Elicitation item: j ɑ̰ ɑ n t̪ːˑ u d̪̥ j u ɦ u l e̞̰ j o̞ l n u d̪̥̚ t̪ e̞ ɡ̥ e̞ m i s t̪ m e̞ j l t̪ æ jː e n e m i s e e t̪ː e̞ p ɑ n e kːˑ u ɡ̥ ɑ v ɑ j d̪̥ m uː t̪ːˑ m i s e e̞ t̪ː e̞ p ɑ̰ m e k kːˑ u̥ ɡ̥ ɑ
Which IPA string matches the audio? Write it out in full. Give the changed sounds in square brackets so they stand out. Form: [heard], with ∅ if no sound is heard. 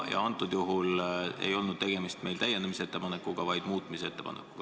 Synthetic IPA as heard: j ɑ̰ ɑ n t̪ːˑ u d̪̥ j u ɦ u l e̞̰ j o̞ l n u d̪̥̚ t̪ e̞ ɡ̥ e̞ m i s t̪ m e̞ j l t̪ æ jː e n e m i s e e t̪ː e̞ p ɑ n e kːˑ u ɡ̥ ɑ v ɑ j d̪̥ m uː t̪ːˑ m i s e e̞ t̪ː e̞ p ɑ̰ [n] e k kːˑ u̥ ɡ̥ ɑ